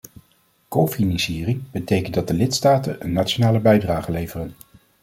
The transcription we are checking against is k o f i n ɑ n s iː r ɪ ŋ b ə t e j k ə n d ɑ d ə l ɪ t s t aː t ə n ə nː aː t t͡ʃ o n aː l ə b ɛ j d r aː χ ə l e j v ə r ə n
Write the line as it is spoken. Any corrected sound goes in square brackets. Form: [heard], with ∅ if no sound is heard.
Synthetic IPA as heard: k o f i n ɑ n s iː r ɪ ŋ b ə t e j k ə n d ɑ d ə l ɪ t s t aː t ə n ə nː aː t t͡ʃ o n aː l ə b ɛ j d r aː χ ə l e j v ə r ə n